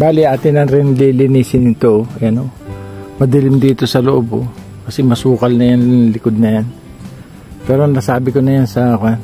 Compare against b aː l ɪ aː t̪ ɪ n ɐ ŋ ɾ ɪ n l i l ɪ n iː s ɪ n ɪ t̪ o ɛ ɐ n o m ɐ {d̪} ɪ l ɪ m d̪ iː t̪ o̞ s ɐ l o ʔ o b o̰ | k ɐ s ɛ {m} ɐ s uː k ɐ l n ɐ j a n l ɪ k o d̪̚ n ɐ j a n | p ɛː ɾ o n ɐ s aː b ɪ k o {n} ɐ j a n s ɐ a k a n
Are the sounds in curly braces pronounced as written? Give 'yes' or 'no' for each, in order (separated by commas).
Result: yes, yes, yes